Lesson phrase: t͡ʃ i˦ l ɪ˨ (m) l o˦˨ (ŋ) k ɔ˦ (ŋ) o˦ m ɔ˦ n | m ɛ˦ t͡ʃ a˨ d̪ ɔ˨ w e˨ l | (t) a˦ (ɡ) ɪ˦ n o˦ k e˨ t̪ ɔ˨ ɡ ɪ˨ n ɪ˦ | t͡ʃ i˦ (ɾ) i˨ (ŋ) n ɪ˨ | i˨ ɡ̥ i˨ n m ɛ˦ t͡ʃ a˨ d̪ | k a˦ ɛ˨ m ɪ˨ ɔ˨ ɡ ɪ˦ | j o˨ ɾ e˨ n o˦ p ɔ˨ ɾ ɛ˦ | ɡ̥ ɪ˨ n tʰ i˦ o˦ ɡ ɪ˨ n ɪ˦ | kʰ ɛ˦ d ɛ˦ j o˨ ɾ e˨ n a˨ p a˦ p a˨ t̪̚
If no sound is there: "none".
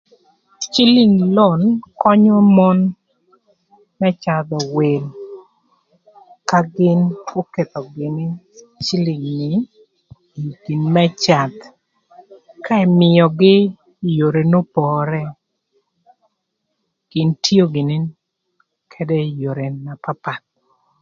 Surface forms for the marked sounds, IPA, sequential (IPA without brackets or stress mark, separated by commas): ŋ, n, ɲ, k, ɡ, l, ŋ